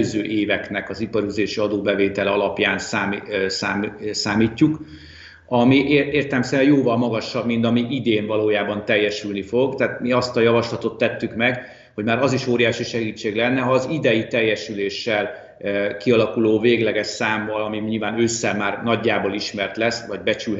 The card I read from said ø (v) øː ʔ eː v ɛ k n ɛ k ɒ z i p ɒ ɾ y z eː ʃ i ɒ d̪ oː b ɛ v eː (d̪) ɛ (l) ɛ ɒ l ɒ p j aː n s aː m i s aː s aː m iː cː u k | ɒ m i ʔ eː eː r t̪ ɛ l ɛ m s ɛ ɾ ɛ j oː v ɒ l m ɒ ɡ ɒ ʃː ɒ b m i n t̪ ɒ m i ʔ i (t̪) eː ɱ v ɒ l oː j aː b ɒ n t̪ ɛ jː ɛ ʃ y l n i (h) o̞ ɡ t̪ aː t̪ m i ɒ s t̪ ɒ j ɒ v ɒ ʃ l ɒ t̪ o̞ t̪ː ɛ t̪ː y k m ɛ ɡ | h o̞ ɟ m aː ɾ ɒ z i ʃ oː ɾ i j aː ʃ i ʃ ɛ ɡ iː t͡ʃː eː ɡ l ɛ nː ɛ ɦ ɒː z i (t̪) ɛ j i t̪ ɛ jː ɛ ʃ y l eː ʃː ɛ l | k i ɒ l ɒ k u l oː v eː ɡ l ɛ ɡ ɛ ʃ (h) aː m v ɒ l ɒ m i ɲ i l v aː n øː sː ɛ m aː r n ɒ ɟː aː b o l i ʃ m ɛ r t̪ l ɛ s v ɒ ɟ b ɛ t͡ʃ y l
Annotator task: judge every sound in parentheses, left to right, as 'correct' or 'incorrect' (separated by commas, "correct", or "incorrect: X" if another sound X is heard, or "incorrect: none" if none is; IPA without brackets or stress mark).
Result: incorrect: z, incorrect: t̪, correct, incorrect: d̪, incorrect: f, incorrect: d̪, incorrect: s